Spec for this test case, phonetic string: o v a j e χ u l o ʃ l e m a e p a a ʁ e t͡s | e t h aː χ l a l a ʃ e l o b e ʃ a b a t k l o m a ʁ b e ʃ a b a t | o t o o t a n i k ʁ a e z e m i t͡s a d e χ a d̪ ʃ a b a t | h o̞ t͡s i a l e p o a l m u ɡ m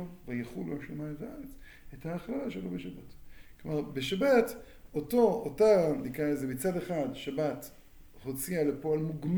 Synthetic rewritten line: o v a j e χ u l o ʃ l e m a e t a a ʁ e t͡s | e t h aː χ l a l a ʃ e l o b e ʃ a b a t k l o m a ʁ b e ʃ a b a t | o t o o t a n i k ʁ a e z e m i t͡s a d e χ a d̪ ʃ a b a t | h o̞ t͡s i a l e p o a l m u ɡ m